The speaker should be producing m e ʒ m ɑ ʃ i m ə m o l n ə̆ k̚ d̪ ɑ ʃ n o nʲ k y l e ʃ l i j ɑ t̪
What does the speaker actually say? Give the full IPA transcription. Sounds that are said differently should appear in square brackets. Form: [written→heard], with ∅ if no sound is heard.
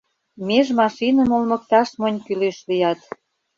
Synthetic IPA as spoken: m e ʒ m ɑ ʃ i [m→n] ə m o l [n→m] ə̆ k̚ [d̪→t̪] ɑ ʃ [n→m] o nʲ k y l e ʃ l i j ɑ t̪